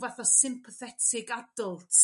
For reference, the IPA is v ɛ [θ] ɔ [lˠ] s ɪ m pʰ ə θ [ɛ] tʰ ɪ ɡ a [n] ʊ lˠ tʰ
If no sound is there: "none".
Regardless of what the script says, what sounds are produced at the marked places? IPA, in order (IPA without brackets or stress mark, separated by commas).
θ, none, ɛ, d